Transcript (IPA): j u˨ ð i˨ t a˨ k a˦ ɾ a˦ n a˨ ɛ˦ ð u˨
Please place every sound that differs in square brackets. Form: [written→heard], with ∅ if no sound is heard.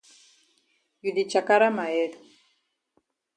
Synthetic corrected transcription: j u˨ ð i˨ [t→t͡ʃ] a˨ k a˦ ɾ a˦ [n→m] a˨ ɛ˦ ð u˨

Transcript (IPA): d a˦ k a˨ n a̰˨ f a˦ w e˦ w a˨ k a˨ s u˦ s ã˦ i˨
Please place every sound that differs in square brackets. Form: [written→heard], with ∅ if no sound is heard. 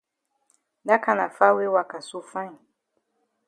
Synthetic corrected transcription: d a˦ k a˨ n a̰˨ f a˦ w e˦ w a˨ k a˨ s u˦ [s→f] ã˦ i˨

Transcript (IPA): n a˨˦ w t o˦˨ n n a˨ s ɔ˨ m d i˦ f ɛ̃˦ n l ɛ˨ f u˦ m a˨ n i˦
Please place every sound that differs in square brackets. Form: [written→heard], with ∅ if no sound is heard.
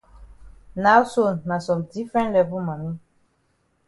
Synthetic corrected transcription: n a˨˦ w [t→s] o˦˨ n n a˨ s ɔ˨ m d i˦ f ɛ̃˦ n l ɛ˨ [f→v] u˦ m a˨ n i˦

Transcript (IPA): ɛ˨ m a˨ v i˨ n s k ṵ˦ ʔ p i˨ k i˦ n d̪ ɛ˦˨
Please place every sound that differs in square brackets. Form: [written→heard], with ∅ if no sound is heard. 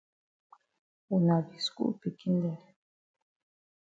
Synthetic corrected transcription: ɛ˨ [m→n] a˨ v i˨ [n→∅] s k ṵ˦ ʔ p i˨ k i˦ n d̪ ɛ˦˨

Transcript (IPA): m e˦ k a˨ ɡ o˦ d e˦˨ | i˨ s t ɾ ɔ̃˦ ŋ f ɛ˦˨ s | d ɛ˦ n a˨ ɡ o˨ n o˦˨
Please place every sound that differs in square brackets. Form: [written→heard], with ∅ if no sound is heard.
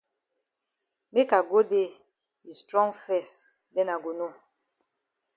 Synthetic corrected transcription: m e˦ k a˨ ɡ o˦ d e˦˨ | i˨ s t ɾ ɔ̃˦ ŋ f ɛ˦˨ s | d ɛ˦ n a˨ ɡ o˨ n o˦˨

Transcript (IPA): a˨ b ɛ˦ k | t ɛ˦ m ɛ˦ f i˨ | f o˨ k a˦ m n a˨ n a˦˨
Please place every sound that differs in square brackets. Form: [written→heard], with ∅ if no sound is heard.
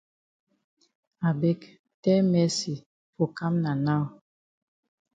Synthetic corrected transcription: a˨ b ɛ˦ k | t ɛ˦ m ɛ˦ [f→s] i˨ | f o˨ k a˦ m n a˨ n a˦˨

